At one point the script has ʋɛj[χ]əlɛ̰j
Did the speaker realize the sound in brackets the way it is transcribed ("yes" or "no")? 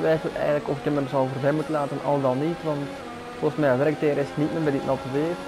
no